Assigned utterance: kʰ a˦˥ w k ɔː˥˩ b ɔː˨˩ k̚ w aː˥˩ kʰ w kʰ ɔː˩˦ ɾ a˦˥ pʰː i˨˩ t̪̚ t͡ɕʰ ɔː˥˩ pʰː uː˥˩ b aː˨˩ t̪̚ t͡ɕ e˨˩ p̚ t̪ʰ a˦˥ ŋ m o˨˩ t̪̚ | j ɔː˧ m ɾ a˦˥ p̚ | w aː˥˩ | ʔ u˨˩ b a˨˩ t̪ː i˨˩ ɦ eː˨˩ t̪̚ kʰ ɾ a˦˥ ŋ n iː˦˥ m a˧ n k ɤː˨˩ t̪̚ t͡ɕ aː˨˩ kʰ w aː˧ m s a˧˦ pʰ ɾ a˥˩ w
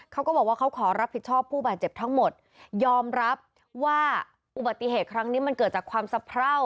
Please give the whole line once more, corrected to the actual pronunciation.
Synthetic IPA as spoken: kʰ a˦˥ w k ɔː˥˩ b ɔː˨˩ k̚ w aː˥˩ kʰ w kʰ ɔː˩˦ ɾ a˦˥ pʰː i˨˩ t̪̚ t͡ɕʰ ɔː˥˩ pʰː uː˥˩ b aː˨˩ t̪̚ t͡ɕ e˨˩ p̚ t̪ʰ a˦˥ ŋ m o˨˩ t̪̚ | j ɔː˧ m ɾ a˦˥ p̚ | w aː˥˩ | ʔ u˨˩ b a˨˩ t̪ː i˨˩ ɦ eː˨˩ t̪̚ kʰ ɾ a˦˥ ŋ n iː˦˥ m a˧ n k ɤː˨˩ t̪̚ t͡ɕ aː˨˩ kʰ w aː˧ m s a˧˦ pʰ ɾ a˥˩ w